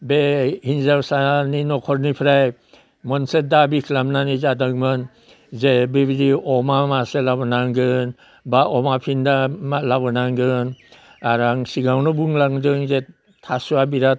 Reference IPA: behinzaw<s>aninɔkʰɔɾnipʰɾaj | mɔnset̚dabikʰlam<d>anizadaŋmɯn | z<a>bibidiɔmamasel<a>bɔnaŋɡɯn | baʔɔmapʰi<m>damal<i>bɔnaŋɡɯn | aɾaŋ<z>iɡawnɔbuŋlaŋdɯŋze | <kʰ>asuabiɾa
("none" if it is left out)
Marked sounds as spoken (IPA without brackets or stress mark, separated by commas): s, n, e, a, n, a, s, tʰ